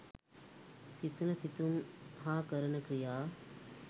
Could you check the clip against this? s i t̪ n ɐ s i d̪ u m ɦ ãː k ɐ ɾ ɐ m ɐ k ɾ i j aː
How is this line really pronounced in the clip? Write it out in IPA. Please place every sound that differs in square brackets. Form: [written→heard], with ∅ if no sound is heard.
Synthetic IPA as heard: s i t̪ n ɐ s i [d̪→t̪] u m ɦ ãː k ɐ ɾ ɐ [m→n] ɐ k ɾ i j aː